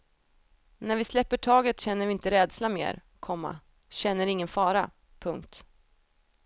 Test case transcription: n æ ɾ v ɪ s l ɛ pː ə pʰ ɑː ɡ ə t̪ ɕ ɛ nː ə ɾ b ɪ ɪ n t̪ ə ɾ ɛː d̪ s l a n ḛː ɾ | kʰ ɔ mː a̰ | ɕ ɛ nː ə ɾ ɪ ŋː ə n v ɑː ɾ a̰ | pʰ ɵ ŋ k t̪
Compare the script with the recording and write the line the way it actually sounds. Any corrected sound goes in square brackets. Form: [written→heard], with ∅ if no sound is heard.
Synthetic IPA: n æ ɾ v ɪ s l ɛ pː ə [pʰ→ʈʰ] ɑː ɡ ə t̪ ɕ ɛ nː ə ɾ [b→v] ɪ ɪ n t̪ ə ɾ ɛː d̪ s l a [n→m] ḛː ɾ | kʰ ɔ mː a̰ | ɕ ɛ nː ə ɾ ɪ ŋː ə n [v→f] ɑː ɾ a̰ | pʰ ɵ ŋ k t̪